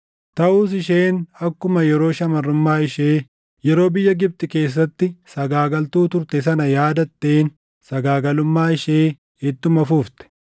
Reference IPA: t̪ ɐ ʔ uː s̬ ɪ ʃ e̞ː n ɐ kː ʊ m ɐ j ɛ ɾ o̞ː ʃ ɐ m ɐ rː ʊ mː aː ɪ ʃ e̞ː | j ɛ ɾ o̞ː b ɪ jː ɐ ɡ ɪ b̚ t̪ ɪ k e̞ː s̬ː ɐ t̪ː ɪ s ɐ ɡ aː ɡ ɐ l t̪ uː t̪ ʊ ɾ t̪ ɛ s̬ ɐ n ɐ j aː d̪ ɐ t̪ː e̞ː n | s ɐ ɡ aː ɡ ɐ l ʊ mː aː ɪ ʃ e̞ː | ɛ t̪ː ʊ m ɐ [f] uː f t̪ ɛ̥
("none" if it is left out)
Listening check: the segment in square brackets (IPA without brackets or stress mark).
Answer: f